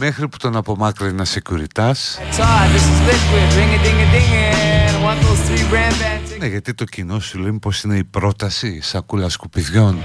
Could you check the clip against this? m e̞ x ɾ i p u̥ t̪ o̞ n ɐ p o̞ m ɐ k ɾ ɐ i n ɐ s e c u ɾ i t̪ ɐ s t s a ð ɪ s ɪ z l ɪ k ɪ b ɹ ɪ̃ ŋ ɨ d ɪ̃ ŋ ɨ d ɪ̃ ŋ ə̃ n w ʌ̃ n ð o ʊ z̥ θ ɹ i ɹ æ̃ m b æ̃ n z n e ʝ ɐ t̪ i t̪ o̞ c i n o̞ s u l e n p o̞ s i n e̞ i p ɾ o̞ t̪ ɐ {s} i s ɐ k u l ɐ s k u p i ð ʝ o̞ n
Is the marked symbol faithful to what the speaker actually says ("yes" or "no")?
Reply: yes